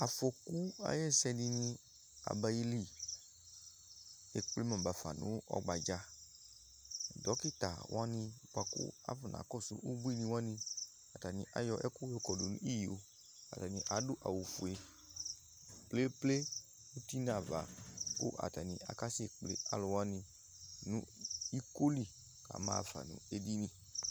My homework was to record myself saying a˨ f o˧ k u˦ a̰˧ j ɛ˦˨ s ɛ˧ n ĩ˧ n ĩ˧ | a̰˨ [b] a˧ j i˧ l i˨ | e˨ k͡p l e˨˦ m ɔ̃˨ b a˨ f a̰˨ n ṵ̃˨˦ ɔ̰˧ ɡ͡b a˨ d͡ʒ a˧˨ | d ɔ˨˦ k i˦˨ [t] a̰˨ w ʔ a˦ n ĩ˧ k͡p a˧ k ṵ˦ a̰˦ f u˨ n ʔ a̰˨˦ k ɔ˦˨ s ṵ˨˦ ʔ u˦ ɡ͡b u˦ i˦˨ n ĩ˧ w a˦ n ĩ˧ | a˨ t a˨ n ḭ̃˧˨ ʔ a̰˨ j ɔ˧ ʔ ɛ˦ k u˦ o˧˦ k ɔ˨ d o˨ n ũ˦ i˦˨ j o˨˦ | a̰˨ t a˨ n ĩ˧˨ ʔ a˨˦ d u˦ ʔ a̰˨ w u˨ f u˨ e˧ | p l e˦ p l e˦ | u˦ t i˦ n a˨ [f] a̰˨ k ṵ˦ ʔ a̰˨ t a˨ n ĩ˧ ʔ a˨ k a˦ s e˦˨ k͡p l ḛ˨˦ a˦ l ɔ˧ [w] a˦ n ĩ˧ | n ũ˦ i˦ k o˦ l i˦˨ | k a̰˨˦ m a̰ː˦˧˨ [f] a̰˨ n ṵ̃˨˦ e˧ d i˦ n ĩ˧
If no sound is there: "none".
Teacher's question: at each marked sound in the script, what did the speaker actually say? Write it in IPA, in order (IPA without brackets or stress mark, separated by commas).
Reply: b, t, v, w, f